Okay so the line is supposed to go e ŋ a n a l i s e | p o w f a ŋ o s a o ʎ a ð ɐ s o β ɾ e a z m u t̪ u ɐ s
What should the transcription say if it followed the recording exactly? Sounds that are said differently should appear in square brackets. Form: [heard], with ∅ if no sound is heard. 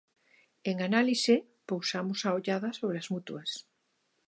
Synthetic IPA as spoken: e ŋ a n a l i s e | p o w [s] a [m] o s a o ʎ a ð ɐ s o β ɾ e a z m u t̪ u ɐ s